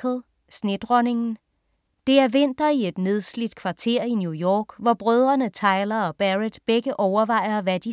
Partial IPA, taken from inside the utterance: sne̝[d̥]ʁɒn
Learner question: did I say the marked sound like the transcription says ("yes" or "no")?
yes